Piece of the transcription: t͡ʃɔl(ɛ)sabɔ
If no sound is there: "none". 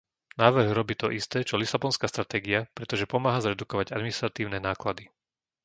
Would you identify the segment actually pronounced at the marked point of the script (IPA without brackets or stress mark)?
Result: i